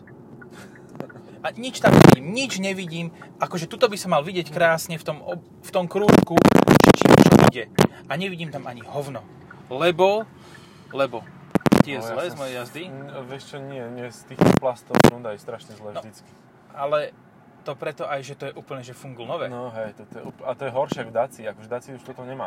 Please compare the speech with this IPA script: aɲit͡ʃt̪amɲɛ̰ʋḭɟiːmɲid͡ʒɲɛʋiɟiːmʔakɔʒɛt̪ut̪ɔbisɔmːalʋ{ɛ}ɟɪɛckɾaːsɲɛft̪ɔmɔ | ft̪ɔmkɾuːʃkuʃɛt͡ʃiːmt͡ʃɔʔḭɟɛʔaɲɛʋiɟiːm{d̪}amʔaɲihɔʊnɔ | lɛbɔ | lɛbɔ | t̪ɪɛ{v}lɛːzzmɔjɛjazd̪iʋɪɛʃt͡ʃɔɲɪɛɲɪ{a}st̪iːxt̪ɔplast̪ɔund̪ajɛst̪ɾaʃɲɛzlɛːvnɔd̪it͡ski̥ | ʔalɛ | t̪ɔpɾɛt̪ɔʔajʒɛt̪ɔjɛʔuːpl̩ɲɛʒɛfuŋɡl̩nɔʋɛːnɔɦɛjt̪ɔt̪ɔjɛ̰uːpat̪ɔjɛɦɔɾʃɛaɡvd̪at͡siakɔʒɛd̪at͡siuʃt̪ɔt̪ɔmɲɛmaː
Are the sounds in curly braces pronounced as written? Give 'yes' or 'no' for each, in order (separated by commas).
no, no, no, no